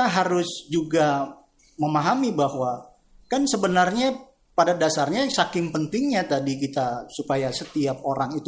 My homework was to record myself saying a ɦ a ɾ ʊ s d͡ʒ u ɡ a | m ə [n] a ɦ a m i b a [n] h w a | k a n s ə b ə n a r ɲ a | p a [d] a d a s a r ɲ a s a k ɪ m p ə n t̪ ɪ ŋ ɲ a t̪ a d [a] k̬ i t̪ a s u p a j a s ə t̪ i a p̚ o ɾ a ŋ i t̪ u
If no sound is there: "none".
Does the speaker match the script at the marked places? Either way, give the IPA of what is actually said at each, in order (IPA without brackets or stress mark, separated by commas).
m, none, d, i